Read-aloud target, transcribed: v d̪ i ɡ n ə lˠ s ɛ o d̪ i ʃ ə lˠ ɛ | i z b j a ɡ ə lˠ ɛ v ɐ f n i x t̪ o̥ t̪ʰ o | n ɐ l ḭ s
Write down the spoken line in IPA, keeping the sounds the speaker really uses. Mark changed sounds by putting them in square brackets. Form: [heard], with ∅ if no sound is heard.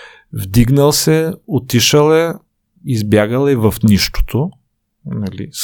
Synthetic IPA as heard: v d̪ i ɡ n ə lˠ s ɛ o [t̪] i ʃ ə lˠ ɛ | i z b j a ɡ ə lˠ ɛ v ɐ f n i [ʃ] t̪ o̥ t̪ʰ o | n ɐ l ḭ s